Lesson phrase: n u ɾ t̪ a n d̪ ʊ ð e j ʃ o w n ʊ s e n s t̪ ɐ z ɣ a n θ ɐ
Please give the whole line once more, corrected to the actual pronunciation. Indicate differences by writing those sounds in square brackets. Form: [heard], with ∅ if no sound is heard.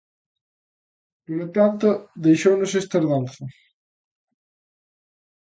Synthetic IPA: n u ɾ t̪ a n [t̪] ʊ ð e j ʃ o w n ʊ s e [∅] s t̪ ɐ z [ð] a n θ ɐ